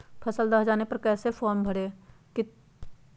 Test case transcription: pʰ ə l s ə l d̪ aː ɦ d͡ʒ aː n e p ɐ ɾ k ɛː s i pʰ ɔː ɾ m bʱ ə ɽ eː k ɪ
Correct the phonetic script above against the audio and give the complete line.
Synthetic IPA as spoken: pʰ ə s ə l d̪ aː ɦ d͡ʒ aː n e p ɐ ɾ k ɛː s e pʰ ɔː ɾ m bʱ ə ɽ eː k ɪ